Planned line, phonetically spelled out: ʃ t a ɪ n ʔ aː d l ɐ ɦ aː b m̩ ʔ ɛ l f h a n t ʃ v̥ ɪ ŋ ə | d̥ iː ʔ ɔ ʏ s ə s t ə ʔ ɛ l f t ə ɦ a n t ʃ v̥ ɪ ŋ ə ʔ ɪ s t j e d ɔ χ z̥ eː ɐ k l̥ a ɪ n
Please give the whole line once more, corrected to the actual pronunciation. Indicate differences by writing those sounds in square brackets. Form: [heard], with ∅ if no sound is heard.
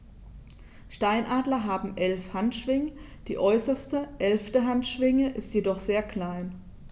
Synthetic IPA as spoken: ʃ t a ɪ n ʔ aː d l ɐ ɦ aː b m̩ ʔ ɛ l f h a n t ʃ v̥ ɪ ŋ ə | d̥ iː ʔ ɔ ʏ s [ɐ] s t ə ʔ ɛ l f t ə ɦ a n t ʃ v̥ ɪ ŋ ə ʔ ɪ s t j e d ɔ χ z̥ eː ɐ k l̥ a ɪ n